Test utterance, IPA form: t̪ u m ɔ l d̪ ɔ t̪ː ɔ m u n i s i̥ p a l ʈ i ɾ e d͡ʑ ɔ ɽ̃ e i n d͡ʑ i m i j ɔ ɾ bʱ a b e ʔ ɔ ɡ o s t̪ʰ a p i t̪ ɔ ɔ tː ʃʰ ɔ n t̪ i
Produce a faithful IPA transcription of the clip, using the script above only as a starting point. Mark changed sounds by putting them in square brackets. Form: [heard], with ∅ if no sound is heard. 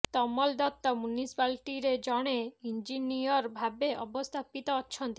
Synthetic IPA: t̪ [ɔ] m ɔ l d̪ ɔ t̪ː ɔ m u n i s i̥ p a l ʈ i ɾ e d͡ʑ ɔ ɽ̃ e i n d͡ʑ i [n] i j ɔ ɾ bʱ a b e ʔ ɔ [b] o s t̪ʰ a p i t̪ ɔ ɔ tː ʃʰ ɔ n t̪ i